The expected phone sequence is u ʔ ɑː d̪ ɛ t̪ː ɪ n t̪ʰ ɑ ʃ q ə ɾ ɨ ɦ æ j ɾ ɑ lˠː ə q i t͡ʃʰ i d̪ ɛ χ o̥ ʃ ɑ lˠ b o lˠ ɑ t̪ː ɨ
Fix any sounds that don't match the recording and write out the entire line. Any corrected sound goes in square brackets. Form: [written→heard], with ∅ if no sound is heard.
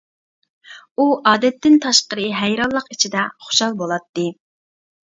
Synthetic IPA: u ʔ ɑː d̪ ɛ t̪ː ɪ n t̪ʰ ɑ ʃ q ə ɾ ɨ ɦ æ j ɾ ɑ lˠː ə q i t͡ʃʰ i d̪ ɛ χ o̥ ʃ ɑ lˠ b o lˠ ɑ t̪ː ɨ